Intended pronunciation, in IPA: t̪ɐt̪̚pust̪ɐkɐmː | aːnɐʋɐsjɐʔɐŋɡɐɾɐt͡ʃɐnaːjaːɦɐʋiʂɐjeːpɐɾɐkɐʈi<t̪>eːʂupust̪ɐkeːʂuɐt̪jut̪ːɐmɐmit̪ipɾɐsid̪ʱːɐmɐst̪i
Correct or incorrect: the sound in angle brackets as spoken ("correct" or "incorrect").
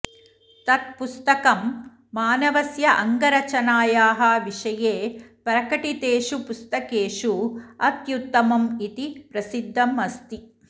correct